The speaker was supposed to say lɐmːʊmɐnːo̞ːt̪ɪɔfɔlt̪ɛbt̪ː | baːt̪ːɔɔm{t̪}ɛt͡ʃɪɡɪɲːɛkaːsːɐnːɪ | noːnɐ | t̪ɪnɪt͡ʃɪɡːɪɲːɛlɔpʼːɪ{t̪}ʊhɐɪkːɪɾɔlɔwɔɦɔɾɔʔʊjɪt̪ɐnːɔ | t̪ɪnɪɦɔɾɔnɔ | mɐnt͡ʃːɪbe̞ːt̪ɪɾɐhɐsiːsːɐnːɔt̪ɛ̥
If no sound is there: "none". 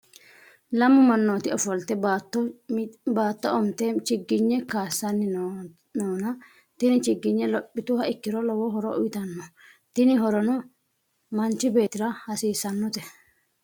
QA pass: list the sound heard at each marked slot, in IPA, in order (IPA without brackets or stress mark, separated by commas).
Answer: t̪, t̪